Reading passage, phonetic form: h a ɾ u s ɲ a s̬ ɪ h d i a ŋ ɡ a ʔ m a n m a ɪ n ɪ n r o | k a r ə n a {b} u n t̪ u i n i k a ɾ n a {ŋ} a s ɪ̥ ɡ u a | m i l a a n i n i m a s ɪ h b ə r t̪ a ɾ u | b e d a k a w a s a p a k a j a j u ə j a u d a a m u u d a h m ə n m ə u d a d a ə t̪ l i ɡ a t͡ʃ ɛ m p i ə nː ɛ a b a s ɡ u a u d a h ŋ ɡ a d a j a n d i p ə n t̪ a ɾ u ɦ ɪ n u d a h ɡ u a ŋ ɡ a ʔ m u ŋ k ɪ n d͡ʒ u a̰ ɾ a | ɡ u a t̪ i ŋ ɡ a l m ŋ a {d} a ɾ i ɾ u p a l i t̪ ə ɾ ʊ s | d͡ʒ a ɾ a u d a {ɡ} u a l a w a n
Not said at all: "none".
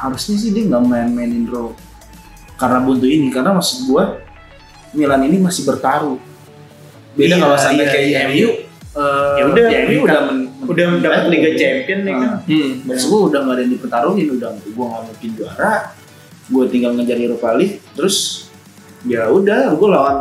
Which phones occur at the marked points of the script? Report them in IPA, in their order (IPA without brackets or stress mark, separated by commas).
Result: b, m, d͡ʒ, ɡ